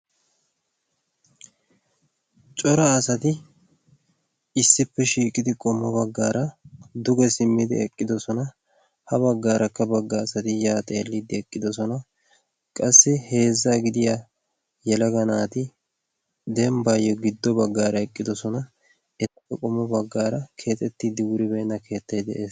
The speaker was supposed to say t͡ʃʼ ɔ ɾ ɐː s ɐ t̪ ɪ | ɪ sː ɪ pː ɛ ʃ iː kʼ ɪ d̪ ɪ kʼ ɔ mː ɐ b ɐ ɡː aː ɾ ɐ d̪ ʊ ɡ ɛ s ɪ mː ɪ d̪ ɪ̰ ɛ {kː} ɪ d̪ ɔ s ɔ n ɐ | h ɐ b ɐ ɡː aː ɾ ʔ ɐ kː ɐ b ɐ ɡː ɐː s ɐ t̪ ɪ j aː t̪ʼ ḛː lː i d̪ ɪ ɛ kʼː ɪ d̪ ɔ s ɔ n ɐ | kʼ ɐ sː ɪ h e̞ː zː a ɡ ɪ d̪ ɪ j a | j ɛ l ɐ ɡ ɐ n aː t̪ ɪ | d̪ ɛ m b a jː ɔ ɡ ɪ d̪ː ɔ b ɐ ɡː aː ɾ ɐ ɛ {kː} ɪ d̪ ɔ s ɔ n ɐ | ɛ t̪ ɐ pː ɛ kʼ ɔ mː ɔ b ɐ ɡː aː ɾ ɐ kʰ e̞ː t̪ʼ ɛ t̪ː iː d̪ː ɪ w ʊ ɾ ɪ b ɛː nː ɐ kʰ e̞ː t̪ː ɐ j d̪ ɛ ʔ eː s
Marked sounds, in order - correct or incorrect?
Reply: incorrect: kʼː, incorrect: kʼː

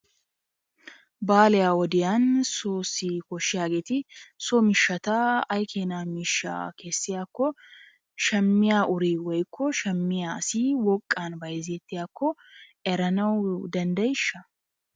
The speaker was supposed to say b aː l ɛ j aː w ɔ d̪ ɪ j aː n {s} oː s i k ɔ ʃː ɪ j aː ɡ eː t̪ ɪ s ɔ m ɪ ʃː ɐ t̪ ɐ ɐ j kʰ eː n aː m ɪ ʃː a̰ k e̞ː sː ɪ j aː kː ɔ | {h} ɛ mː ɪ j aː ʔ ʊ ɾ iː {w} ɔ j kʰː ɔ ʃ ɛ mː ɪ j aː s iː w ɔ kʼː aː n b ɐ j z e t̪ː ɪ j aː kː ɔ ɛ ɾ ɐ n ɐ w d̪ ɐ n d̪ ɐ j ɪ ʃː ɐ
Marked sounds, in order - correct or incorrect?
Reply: correct, incorrect: ʃ, correct

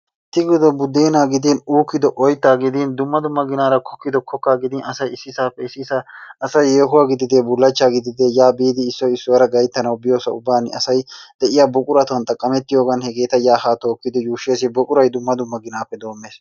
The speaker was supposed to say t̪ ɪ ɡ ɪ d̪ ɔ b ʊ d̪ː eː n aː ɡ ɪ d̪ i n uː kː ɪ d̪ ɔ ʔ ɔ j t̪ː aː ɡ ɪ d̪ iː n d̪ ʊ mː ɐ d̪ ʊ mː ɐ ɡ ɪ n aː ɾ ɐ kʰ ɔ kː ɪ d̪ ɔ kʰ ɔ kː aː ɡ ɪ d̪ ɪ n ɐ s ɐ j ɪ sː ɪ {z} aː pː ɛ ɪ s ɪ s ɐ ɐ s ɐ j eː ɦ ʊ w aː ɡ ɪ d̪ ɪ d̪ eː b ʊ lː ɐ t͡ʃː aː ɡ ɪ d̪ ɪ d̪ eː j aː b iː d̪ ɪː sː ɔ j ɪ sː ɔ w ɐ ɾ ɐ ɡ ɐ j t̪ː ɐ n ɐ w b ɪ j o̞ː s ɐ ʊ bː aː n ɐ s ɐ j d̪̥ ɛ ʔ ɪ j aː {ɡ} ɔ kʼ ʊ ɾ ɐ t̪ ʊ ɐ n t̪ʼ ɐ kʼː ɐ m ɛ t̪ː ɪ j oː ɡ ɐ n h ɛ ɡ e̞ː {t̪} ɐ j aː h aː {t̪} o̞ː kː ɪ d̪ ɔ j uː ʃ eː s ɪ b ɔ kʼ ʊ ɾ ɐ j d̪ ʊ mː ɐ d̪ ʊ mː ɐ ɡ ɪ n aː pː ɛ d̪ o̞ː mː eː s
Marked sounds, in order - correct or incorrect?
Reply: incorrect: s, incorrect: b, correct, correct

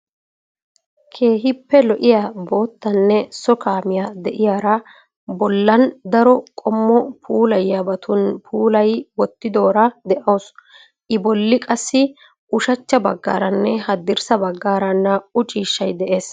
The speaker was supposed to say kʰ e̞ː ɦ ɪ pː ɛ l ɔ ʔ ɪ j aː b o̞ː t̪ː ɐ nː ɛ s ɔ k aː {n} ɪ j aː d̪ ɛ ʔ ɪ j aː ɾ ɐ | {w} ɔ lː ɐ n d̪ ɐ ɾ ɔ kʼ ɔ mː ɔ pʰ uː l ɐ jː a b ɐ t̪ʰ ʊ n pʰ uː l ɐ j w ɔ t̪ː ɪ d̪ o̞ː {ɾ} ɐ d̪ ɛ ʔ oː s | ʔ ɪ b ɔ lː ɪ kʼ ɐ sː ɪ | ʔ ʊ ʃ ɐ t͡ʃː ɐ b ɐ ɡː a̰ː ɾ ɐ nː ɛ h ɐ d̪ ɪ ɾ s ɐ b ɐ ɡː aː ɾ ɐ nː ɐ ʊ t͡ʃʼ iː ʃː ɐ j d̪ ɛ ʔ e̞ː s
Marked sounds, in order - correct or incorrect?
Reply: incorrect: m, incorrect: b, correct

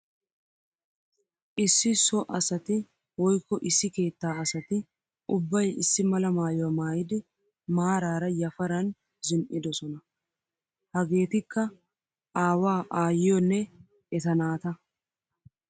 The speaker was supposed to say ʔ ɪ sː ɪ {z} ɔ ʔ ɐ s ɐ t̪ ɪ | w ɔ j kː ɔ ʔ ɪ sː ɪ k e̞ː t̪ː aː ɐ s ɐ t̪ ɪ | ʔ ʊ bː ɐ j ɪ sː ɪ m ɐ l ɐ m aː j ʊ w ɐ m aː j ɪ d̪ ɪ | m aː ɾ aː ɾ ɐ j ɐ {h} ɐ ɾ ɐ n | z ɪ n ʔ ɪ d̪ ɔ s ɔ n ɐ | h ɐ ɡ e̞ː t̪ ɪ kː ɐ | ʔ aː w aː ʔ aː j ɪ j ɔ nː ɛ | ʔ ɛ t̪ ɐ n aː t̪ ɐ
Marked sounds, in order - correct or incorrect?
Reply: incorrect: s, incorrect: f

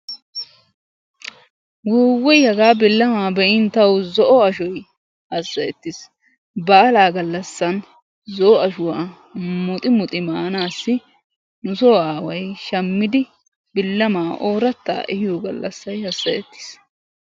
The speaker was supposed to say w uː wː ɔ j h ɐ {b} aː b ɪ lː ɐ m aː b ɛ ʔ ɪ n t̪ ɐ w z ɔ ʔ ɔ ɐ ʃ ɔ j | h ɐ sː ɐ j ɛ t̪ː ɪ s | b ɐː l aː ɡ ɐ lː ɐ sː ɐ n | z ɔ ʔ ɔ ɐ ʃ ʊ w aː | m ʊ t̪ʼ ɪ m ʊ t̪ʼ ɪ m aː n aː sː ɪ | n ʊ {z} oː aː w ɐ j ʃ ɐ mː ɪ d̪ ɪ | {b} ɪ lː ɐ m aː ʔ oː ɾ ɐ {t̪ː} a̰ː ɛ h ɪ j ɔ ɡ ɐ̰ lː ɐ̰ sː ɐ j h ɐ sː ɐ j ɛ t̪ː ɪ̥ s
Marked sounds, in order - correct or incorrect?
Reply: incorrect: ɡ, incorrect: s, correct, correct

